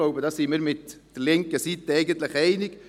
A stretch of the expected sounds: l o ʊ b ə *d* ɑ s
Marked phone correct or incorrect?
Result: correct